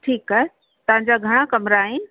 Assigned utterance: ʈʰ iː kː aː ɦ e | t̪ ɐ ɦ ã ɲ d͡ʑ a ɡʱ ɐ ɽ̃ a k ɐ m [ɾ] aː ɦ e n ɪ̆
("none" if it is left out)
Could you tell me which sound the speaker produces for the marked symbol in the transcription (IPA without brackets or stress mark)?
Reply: ɾ